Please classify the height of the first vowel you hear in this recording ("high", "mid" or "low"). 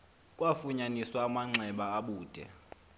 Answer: low